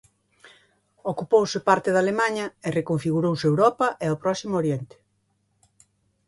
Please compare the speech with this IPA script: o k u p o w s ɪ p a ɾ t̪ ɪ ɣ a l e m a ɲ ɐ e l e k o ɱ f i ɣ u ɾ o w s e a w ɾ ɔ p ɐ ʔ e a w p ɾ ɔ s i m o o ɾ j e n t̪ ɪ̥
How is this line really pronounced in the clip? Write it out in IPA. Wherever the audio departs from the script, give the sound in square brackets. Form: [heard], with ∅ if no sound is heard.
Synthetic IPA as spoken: o k u p o w s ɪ p a ɾ t̪ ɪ [ð] a l e m a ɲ ɐ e [r] e k o ɱ f i ɣ u ɾ o w s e [e] w ɾ ɔ p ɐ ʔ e a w p ɾ ɔ s i m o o ɾ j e n t̪ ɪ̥